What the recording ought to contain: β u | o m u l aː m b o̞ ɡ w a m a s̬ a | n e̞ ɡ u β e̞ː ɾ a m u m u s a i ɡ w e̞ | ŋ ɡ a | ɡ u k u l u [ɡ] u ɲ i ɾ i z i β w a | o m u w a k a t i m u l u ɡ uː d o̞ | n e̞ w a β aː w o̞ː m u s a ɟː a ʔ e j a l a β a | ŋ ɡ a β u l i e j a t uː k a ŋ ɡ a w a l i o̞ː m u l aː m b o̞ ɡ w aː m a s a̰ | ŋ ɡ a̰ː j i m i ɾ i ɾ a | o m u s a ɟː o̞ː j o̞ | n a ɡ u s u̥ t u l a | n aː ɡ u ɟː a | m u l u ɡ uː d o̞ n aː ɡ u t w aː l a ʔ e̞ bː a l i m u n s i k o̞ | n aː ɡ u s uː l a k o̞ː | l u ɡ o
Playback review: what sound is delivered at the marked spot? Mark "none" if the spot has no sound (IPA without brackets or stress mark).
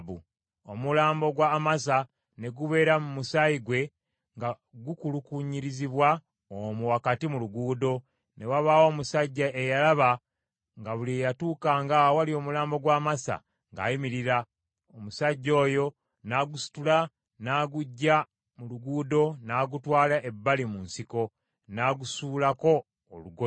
k